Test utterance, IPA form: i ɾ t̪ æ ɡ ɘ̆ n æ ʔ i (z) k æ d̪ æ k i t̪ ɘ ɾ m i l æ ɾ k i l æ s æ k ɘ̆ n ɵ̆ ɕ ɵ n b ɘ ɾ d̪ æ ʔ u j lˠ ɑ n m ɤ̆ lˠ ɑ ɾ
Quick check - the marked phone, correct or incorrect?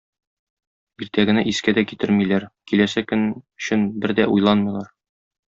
incorrect